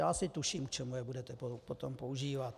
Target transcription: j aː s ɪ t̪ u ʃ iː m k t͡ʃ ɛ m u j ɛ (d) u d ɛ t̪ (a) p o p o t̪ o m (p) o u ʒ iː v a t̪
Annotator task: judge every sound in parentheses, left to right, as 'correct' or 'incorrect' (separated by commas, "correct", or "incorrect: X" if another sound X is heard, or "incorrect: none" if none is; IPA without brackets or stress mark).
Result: incorrect: b, incorrect: ɛ, correct